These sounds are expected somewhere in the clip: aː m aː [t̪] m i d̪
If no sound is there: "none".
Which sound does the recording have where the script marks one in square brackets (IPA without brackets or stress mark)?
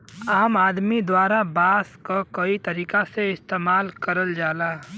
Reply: d̪